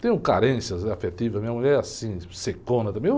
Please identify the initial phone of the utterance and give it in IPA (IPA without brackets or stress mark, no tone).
t̪